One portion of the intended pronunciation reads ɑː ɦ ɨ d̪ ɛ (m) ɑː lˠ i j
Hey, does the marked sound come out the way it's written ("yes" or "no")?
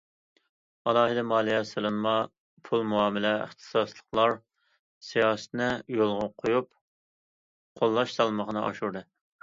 yes